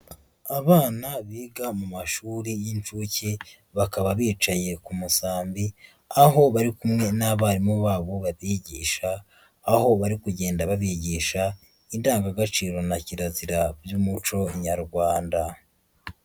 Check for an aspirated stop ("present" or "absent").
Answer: absent